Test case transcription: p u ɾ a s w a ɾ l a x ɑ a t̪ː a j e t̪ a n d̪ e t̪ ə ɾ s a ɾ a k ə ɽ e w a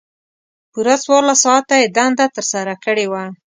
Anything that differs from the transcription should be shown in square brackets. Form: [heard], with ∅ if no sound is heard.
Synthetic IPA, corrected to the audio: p u ɾ a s w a ɾ l a [s] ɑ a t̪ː a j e [d̪] a n d̪ [a] t̪ ə ɾ s a ɾ a k ə ɽ e w a